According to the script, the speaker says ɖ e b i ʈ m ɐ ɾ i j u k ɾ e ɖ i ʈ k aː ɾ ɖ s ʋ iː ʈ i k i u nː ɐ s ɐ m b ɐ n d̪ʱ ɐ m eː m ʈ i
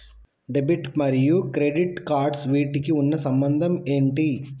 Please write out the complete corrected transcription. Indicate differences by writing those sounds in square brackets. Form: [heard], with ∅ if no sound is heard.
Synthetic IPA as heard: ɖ e b i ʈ m ɐ ɾ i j u k ɾ e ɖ i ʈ k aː ɾ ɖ s ʋ iː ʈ i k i u nː ɐ s ɐ m b ɐ n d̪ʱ ɐ m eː [ɳ] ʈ i